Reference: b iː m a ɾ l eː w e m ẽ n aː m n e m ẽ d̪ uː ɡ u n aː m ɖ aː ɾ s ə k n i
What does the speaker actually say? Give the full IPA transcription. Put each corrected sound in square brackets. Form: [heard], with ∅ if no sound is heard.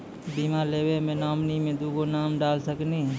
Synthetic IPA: b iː m a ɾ l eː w e m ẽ n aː m n [i] m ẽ d̪ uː ɡ [o] n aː m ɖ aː [l] s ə k n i